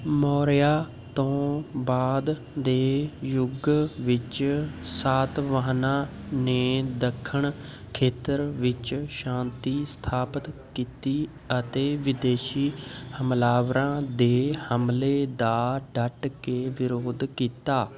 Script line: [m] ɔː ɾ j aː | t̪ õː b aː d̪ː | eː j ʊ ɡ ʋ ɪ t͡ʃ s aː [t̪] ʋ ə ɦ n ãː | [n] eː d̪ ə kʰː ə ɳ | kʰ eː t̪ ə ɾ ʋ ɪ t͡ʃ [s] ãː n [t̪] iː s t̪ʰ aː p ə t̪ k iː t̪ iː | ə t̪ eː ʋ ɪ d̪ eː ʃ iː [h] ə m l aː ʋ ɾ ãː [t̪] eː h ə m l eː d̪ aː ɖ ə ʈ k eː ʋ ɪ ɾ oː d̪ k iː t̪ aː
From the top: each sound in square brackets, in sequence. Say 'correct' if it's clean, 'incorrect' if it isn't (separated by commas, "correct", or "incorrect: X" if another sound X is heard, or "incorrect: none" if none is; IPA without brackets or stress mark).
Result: correct, correct, correct, incorrect: ʃ, correct, correct, incorrect: d̪